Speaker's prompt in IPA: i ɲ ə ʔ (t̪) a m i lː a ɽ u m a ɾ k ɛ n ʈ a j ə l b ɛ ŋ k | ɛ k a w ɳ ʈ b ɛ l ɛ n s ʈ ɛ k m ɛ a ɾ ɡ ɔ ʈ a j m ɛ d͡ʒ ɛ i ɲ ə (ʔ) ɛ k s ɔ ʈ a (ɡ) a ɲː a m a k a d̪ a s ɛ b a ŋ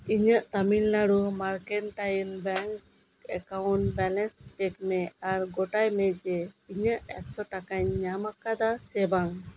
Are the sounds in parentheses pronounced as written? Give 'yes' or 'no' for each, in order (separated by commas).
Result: yes, yes, no